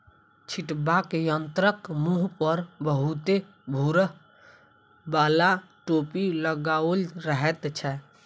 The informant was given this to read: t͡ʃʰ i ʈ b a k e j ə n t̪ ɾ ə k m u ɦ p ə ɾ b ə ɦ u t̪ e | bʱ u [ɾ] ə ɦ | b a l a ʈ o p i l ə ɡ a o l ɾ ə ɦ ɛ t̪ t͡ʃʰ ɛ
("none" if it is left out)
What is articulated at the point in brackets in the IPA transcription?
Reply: ɾ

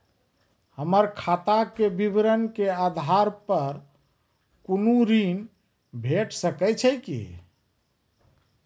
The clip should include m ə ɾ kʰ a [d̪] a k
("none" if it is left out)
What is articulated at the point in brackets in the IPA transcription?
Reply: t̪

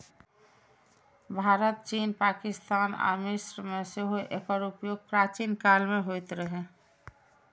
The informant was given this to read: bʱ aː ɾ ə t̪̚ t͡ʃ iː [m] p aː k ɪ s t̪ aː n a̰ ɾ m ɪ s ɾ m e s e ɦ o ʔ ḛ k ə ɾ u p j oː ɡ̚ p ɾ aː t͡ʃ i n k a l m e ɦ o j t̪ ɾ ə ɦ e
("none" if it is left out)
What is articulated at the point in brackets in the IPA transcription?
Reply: n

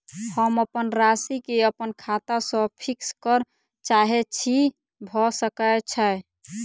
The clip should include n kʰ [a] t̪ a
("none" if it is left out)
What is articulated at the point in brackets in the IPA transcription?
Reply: a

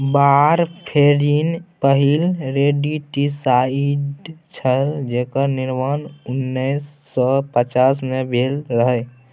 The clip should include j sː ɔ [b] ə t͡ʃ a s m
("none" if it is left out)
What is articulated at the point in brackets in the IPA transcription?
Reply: p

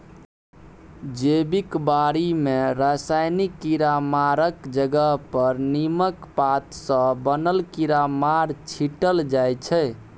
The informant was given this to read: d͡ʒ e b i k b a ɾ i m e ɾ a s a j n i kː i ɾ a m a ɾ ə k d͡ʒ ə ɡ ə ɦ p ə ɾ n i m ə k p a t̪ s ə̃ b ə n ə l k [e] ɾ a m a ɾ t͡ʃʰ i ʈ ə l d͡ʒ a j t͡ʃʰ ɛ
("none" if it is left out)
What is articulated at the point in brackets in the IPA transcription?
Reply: i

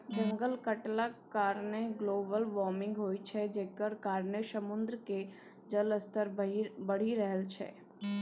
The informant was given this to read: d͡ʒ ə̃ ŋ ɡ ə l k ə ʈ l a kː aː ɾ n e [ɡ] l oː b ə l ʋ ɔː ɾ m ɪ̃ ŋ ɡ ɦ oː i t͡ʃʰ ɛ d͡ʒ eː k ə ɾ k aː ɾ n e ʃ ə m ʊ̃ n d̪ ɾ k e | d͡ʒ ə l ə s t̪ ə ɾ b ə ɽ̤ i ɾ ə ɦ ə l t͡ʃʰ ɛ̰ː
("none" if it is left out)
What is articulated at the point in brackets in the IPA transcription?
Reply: ɡ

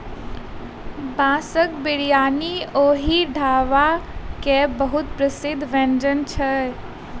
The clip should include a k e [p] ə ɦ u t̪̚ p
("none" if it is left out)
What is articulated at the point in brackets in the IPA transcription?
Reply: b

